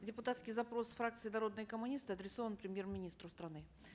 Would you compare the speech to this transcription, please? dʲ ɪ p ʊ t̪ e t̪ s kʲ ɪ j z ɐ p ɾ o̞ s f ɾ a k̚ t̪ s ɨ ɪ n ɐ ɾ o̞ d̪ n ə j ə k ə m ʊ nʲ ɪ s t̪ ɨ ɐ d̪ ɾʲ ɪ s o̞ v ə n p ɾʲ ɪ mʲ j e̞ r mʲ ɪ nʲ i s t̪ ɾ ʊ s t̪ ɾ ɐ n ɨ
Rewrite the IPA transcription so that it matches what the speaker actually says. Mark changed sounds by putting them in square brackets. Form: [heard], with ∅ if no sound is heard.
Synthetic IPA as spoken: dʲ ɪ p ʊ t̪ [a] t̪ s kʲ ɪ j z ɐ p ɾ o̞ s f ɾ a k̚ t̪ s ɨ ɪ n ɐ ɾ o̞ d̪ n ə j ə k ə m ʊ nʲ [i] s t̪ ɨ ɐ d̪ ɾʲ ɪ s o̞ v ə n p ɾʲ ɪ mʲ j e̞ r mʲ ɪ nʲ i s t̪ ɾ ʊ s t̪ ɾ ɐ n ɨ